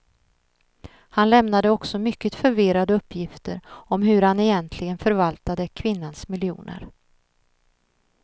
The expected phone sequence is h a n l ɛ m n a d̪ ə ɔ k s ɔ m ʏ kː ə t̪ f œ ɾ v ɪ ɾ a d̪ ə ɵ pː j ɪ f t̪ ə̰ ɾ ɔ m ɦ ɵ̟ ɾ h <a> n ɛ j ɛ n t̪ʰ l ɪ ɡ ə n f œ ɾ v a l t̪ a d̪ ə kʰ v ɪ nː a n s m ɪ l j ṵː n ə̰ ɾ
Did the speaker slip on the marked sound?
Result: no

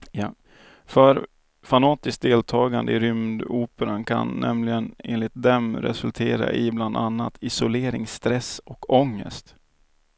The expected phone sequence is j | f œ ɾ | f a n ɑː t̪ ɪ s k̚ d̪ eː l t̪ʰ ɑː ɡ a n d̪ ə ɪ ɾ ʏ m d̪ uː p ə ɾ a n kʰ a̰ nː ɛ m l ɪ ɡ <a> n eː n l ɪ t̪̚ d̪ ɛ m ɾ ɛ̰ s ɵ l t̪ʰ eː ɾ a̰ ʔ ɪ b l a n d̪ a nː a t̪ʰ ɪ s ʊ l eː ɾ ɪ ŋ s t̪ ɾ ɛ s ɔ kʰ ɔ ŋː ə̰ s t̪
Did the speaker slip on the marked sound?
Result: yes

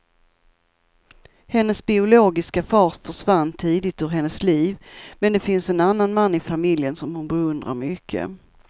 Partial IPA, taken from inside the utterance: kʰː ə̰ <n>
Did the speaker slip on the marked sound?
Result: yes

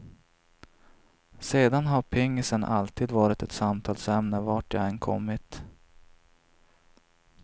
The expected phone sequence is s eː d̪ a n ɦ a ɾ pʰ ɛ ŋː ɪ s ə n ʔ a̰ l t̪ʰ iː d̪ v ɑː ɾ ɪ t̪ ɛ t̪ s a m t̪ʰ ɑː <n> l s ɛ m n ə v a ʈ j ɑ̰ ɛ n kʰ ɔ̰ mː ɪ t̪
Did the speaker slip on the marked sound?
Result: yes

